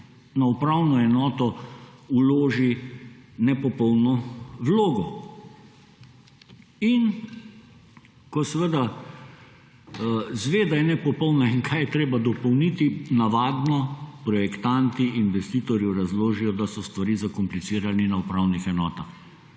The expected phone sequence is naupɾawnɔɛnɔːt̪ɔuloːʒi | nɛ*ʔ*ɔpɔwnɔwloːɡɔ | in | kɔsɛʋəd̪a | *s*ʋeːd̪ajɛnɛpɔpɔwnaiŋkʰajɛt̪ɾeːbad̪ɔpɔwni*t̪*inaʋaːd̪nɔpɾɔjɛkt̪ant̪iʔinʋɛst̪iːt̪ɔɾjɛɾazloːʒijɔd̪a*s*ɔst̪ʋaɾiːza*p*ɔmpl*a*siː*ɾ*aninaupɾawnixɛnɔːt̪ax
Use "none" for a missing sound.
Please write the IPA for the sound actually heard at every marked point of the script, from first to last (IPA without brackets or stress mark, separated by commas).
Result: p, z, t̪, s, k, i, ɾ